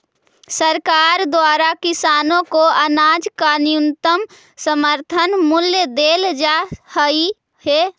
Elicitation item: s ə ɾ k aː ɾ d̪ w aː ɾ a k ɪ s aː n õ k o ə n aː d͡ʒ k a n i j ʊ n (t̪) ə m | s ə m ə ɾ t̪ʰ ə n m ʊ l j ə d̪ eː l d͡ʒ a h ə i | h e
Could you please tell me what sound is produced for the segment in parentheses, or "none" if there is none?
t̪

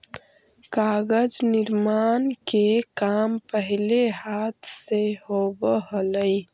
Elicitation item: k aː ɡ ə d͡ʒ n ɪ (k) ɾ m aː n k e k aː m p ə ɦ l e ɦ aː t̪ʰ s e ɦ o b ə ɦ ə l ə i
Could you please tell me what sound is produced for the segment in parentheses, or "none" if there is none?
none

